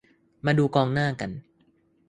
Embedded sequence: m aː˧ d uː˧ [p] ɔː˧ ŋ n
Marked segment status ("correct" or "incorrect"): incorrect